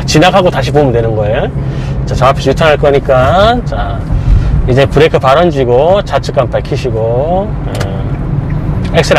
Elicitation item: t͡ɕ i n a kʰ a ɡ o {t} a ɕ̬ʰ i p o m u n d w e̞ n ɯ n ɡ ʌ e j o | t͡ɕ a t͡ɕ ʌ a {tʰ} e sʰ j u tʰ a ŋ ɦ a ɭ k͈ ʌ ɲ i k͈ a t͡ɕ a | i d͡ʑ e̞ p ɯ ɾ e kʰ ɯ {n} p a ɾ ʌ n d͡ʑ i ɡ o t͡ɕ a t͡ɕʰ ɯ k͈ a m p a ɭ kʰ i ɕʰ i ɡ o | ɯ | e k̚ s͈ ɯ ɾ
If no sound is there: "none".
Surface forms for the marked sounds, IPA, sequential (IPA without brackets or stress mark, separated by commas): t, pʰ, none